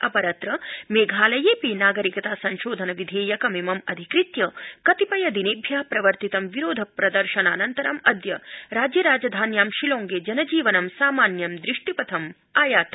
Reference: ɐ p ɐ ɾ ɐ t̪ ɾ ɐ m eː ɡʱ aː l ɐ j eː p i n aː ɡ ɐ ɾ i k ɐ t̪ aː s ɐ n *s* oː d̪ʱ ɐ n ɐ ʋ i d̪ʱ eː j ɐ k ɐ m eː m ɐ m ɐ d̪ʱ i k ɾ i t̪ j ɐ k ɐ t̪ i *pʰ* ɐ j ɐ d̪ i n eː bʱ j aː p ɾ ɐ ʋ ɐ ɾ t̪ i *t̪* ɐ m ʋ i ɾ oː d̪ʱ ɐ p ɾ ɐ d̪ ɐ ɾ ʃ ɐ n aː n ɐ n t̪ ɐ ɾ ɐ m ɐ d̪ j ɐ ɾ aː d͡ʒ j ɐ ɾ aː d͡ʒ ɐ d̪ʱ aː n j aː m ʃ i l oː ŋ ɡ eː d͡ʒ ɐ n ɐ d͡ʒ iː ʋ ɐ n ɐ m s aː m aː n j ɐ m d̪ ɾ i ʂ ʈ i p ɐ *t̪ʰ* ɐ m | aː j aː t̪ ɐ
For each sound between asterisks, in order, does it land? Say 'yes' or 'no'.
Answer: no, no, yes, yes

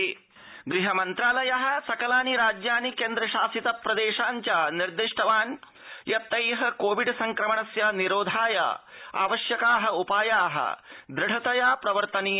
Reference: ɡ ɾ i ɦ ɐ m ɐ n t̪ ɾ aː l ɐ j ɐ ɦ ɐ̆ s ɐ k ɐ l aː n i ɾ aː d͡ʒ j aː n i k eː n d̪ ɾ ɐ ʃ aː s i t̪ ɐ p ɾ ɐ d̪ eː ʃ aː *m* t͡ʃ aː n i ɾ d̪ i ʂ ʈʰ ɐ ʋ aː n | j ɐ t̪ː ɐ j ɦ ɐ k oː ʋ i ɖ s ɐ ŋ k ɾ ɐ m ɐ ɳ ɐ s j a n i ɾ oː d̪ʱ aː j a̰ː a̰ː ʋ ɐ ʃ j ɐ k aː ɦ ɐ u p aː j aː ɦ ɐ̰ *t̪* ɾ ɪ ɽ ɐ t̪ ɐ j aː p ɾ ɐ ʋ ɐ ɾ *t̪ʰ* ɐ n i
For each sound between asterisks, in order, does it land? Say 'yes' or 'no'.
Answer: no, no, no

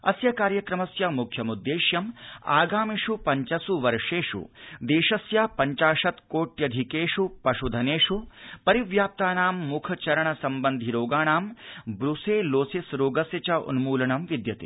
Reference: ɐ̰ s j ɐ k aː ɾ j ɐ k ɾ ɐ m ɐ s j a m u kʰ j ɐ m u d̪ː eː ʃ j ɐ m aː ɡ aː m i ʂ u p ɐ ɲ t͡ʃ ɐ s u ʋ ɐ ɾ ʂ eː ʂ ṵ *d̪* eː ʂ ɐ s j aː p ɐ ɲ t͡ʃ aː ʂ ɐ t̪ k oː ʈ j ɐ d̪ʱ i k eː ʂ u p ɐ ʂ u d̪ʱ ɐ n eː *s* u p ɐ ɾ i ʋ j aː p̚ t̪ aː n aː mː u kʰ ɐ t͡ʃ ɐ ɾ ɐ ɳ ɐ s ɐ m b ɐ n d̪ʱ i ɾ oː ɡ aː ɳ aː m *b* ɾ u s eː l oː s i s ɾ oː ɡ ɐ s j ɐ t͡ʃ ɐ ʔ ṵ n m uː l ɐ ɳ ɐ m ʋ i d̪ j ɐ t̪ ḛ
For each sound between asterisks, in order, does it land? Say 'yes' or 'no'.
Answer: yes, no, yes

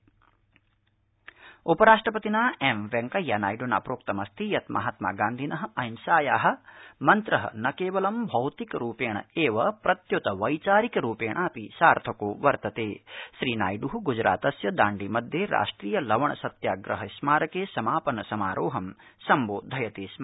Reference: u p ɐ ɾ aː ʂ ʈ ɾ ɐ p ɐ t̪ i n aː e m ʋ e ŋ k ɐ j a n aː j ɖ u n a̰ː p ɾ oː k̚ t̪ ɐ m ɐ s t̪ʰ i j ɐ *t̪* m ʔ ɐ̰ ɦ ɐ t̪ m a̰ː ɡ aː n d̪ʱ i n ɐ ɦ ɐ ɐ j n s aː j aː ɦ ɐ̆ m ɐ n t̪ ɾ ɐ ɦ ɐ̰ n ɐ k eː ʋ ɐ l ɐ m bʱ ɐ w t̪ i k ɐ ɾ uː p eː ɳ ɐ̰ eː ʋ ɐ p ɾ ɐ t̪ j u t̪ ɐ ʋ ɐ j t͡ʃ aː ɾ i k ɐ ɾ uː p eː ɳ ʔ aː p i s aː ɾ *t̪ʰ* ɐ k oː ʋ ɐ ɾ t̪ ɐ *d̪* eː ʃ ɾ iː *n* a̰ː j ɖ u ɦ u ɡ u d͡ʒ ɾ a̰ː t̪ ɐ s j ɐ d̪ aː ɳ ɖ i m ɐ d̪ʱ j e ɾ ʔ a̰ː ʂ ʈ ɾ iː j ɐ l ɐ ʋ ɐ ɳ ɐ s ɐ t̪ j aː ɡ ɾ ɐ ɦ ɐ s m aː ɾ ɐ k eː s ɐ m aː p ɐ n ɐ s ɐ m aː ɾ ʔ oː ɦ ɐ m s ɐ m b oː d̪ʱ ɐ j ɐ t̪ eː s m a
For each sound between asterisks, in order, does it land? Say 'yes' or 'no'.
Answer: yes, yes, no, yes

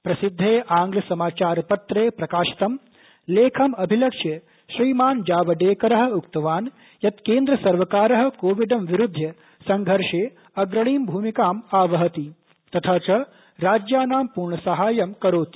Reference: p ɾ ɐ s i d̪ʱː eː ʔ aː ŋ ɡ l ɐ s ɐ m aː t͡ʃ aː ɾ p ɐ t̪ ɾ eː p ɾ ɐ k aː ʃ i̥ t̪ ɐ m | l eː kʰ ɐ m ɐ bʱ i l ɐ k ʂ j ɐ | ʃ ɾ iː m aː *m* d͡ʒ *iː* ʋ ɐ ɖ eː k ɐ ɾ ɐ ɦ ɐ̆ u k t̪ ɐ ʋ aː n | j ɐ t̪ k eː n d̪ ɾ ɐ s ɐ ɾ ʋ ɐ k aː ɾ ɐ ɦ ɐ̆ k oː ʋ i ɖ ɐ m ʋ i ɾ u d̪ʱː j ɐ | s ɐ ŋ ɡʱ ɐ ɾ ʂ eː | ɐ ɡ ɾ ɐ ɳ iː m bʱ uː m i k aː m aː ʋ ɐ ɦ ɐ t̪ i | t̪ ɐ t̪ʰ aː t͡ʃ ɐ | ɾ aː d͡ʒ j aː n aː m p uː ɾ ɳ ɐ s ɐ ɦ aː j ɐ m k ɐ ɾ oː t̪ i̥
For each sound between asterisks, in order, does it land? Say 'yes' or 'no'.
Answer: no, no

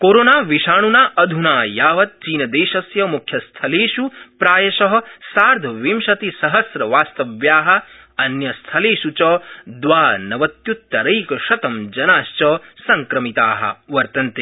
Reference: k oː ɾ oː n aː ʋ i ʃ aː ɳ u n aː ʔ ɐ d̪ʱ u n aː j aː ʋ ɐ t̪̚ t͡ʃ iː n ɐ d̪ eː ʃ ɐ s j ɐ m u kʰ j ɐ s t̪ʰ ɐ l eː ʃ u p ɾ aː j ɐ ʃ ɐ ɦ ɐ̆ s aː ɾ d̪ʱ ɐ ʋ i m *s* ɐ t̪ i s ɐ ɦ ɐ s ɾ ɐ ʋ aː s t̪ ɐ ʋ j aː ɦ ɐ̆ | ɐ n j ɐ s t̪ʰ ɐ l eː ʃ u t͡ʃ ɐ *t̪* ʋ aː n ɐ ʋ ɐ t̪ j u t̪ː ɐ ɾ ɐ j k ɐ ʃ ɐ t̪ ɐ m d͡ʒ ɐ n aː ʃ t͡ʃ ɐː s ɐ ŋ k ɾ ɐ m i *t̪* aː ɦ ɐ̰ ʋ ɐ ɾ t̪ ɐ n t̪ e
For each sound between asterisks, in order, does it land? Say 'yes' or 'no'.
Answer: no, no, yes

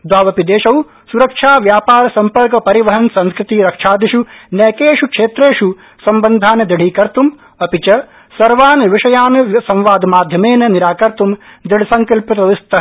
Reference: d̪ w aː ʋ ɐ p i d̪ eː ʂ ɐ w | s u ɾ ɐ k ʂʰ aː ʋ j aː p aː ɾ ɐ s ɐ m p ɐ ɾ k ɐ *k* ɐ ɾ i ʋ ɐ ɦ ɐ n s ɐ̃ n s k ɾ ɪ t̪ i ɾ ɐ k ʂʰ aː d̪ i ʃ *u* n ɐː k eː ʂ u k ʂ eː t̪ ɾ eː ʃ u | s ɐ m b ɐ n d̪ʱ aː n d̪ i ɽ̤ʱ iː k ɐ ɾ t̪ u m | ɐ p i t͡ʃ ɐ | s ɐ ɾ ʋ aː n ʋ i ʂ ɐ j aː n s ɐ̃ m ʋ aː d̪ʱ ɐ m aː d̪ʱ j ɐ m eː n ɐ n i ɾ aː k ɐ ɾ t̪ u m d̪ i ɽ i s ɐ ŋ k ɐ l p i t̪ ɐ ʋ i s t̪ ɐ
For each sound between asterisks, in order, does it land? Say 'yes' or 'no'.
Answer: no, yes

